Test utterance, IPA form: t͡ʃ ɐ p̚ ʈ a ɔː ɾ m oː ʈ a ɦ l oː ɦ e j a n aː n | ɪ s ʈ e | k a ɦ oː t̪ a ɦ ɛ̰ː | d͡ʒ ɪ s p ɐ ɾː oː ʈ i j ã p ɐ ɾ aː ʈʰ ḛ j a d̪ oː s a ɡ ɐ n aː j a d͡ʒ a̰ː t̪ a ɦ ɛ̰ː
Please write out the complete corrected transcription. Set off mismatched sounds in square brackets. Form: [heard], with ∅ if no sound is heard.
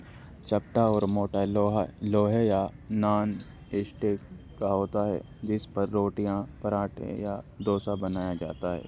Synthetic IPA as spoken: t͡ʃ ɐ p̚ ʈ a ɔː ɾ m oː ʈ a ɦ l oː ɦ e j a n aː n | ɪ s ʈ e | k a ɦ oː t̪ a ɦ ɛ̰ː | d͡ʒ ɪ s p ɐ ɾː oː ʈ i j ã p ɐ ɾ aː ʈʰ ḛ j a d̪ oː s a [b] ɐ n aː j a d͡ʒ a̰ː t̪ a ɦ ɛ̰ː